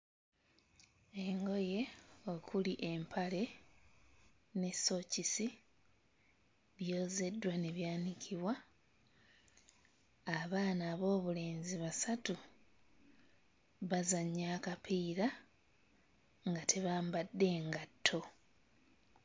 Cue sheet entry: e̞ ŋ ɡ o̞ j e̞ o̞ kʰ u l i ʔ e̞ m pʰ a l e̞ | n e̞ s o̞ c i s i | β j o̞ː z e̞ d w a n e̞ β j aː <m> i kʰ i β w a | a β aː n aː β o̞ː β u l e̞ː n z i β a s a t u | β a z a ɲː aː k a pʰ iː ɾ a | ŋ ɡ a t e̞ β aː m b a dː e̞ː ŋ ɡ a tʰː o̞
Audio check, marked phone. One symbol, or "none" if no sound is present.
n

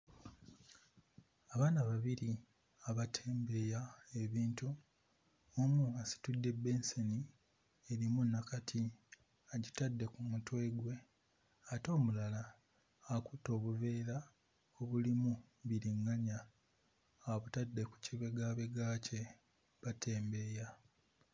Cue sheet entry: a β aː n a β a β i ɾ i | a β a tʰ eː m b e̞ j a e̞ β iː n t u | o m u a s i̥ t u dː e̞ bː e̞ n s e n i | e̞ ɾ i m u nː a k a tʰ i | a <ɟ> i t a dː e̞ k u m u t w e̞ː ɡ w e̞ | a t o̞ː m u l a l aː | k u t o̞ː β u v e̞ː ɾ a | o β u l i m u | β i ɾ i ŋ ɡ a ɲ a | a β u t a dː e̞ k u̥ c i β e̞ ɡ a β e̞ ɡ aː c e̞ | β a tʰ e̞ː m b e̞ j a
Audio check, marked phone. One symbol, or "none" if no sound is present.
ɟ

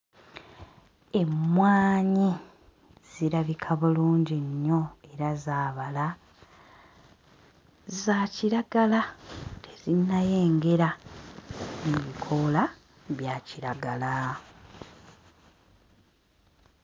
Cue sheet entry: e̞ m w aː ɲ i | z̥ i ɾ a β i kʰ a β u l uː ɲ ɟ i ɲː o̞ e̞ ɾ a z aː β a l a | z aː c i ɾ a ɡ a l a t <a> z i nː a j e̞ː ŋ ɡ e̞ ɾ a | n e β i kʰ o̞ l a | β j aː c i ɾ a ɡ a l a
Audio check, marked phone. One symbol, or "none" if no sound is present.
e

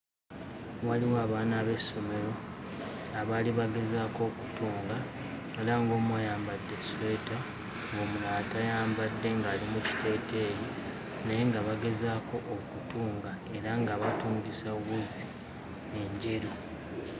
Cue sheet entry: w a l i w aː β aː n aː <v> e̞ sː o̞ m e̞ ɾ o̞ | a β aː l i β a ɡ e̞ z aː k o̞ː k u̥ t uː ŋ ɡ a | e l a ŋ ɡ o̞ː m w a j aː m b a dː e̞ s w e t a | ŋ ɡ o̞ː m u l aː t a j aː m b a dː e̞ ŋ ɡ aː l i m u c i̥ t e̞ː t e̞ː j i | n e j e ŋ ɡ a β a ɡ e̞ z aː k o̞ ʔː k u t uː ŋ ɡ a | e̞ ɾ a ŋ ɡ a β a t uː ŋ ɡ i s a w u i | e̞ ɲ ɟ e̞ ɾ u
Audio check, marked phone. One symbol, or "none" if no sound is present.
β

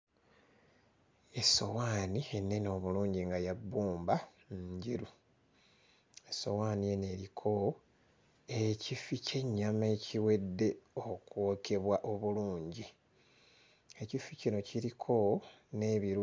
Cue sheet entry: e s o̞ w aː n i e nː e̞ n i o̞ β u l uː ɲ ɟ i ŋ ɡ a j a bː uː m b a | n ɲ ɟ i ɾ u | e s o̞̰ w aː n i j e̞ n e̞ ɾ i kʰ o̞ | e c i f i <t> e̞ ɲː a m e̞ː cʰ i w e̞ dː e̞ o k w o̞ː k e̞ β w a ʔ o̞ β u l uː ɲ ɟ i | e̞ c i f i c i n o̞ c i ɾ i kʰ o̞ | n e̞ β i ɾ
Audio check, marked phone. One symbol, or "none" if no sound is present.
c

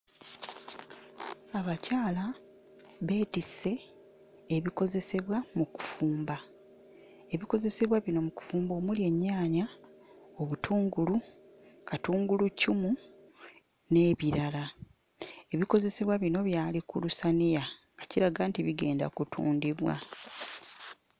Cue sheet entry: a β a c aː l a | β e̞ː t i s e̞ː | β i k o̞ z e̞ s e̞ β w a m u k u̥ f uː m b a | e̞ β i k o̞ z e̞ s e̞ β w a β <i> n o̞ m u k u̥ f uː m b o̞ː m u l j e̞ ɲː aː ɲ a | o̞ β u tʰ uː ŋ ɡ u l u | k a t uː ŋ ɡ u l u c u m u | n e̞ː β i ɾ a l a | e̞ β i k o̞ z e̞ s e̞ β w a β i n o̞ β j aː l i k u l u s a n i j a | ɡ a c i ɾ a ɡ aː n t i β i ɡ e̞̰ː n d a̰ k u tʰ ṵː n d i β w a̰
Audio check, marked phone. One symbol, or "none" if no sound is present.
i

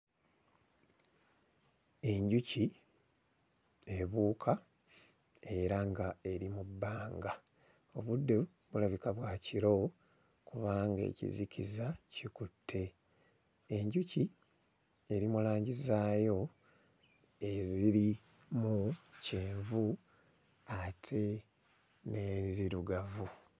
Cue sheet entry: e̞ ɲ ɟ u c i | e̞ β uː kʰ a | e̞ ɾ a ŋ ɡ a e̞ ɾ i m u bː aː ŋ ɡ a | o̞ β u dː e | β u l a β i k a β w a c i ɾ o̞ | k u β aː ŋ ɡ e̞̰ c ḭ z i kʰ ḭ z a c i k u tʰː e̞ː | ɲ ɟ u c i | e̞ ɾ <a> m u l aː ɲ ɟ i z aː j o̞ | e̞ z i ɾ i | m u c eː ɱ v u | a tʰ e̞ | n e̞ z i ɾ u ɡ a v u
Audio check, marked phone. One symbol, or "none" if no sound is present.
i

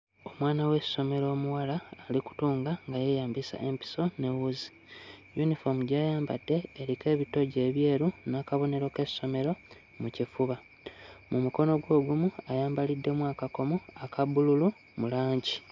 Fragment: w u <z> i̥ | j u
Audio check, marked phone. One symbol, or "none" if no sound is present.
z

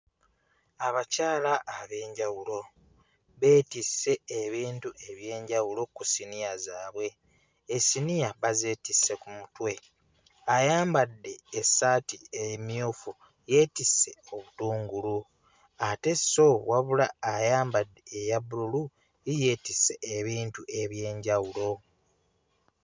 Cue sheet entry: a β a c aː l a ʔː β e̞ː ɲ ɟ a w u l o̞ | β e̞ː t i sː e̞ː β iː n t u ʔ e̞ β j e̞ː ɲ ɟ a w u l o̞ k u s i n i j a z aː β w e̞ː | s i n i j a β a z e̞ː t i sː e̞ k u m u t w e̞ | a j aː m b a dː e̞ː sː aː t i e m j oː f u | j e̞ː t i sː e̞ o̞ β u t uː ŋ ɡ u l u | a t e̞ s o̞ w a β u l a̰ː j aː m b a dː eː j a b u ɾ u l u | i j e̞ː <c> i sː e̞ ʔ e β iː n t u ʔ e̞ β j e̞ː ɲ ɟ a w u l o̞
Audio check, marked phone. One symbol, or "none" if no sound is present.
t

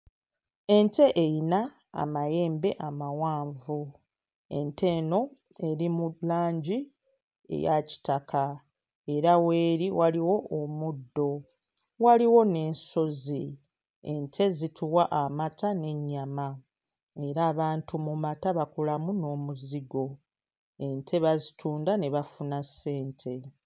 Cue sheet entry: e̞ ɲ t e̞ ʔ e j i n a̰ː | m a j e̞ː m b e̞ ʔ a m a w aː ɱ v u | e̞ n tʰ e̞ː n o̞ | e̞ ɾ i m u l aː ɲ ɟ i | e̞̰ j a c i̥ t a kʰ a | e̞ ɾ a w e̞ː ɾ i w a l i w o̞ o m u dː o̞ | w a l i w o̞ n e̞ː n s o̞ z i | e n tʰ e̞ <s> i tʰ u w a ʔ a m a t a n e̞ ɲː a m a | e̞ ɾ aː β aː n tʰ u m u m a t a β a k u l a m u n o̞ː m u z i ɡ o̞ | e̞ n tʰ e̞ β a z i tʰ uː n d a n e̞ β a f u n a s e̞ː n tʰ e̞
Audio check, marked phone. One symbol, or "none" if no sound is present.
z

